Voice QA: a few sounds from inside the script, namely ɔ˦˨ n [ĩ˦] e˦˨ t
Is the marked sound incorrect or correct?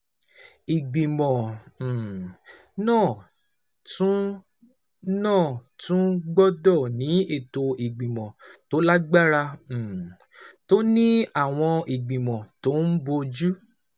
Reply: incorrect